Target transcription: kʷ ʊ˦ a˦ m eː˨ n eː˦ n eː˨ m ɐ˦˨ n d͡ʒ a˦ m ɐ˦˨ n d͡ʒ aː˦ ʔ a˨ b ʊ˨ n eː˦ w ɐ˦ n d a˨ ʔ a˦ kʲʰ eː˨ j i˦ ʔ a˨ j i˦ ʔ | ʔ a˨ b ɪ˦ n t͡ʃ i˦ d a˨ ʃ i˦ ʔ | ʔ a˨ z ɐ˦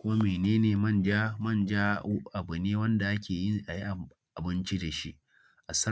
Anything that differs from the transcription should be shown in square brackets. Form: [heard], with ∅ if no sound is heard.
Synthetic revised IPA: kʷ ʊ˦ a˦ m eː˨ n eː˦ n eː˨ m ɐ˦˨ n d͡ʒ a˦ m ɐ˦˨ n d͡ʒ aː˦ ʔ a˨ b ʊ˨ n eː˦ w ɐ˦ n d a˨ ʔ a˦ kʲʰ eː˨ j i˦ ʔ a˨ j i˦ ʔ | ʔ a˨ b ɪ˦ n t͡ʃ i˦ d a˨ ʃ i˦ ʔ | ʔ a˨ [s] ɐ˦